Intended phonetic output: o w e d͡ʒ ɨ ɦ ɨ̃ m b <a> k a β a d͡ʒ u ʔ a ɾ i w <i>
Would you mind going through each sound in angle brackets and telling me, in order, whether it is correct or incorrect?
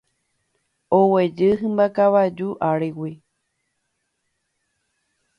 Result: correct, correct

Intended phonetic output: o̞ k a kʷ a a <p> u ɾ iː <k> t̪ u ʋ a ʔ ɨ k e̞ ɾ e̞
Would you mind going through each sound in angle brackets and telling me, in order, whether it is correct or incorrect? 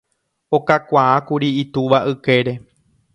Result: incorrect, incorrect

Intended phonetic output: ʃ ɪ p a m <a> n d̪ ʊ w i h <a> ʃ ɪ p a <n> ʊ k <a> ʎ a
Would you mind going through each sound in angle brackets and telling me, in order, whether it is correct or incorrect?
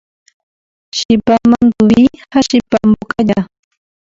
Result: correct, correct, incorrect, correct

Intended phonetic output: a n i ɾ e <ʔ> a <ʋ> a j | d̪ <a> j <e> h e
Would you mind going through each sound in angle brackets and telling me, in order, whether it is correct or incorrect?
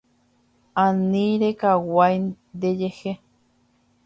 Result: incorrect, incorrect, incorrect, correct

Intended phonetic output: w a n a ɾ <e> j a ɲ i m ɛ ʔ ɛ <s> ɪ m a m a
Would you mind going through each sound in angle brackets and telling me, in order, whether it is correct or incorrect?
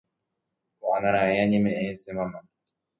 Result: incorrect, correct

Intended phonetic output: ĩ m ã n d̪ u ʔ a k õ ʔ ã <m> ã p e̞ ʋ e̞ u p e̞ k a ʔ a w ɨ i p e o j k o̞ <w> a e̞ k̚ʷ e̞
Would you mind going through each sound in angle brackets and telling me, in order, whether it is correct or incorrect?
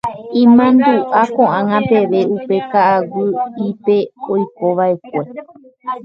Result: incorrect, incorrect

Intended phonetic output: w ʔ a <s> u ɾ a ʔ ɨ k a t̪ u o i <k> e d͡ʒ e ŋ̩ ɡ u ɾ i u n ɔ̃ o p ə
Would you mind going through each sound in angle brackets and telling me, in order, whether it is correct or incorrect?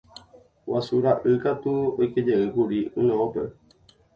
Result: correct, correct

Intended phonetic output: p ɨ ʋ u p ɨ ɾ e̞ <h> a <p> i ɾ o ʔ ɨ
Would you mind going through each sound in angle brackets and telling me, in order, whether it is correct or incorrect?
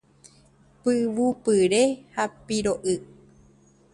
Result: correct, correct

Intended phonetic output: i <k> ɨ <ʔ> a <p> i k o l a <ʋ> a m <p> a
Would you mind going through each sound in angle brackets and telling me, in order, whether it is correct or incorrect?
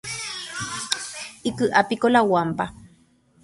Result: correct, correct, correct, incorrect, correct

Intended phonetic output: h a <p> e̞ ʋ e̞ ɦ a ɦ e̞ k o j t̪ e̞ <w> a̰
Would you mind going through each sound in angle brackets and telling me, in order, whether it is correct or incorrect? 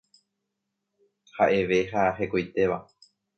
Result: incorrect, incorrect

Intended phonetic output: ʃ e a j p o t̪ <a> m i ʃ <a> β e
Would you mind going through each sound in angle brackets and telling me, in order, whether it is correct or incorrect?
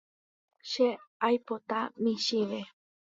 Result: correct, incorrect

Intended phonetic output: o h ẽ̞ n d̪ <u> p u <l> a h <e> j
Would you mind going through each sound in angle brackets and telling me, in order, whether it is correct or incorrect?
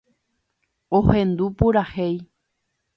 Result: correct, incorrect, correct

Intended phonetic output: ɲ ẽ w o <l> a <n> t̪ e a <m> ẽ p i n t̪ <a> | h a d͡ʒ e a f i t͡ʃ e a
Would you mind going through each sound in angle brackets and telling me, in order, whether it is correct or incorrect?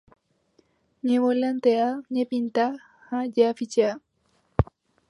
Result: correct, correct, incorrect, correct

